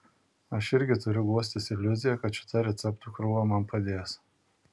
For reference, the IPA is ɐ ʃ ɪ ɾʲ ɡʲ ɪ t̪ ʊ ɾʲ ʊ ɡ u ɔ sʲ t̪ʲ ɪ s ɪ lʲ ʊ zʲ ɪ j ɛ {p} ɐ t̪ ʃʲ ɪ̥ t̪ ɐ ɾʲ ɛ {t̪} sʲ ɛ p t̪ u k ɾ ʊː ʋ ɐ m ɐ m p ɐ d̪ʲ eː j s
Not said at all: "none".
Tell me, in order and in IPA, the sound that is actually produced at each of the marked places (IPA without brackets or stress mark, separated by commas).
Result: k, t̪